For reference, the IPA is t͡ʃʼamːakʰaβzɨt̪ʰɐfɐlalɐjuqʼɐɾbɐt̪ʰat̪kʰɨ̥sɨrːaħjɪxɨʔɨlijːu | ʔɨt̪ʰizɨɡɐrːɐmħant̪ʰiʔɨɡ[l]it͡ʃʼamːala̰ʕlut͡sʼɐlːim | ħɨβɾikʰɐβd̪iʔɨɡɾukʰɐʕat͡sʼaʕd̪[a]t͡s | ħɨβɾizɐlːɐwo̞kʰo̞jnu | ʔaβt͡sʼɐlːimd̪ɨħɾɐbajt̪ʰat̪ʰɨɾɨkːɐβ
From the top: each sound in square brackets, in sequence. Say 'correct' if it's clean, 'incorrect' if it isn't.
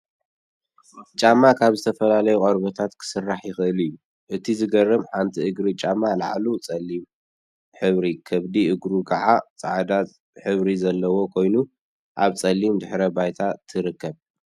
incorrect, correct

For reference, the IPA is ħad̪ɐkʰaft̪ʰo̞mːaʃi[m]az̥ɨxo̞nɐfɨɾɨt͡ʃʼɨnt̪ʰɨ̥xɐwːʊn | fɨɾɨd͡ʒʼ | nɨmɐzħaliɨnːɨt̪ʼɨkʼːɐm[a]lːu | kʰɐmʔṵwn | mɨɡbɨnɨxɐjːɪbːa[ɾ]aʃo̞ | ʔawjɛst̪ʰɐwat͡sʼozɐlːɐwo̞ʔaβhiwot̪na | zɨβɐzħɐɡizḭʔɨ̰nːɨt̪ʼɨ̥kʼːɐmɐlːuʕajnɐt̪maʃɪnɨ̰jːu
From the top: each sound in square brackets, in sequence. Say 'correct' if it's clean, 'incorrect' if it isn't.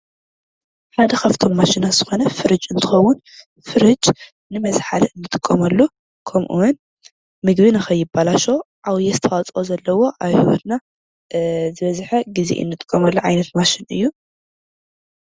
incorrect, incorrect, incorrect

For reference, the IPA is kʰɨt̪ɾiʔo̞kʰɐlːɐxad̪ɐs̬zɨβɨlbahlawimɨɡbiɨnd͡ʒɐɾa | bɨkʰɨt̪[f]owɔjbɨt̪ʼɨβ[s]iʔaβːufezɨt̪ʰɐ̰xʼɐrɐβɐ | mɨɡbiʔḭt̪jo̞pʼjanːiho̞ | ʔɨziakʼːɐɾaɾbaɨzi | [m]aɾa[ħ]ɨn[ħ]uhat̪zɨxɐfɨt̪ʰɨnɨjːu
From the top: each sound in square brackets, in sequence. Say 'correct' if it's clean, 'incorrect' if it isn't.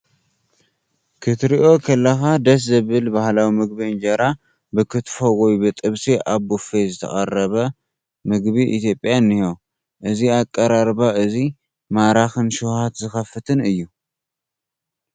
correct, correct, correct, incorrect, incorrect

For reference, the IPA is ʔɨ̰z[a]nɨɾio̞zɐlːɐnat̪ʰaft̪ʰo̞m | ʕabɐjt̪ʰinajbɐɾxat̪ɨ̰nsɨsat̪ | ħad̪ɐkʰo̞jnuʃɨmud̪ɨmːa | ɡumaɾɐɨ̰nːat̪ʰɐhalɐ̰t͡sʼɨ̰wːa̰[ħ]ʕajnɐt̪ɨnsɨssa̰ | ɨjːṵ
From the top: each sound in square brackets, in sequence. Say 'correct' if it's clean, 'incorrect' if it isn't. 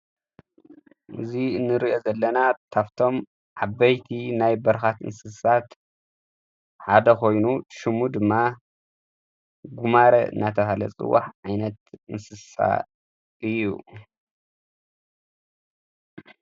incorrect, correct

